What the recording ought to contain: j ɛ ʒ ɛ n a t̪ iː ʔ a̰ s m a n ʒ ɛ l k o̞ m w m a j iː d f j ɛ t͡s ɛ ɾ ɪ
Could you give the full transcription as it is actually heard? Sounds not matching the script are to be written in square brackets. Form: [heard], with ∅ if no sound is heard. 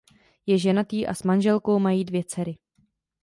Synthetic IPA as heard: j ɛ ʒ ɛ n a t̪ iː ʔ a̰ s m a n ʒ ɛ l k o̞ [∅] w m a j iː d [v] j ɛ t͡s ɛ ɾ ɪ